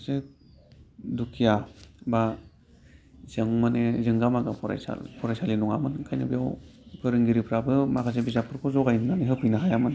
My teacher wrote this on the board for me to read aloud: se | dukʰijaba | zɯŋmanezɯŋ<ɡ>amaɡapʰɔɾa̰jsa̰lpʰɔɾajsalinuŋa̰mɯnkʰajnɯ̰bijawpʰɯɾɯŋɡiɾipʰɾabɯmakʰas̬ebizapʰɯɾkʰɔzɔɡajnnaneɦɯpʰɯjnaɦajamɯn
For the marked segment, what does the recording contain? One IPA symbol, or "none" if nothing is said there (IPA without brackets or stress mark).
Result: ɡ